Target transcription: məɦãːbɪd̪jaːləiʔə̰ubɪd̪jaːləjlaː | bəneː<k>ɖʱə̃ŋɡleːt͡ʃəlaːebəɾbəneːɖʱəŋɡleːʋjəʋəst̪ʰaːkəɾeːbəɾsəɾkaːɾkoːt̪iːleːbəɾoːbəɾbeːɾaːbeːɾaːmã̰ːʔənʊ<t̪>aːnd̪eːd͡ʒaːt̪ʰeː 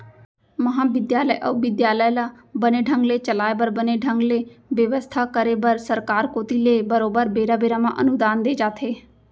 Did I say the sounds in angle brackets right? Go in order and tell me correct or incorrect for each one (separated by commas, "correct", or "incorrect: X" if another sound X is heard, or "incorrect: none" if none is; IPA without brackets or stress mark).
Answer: incorrect: none, incorrect: d̪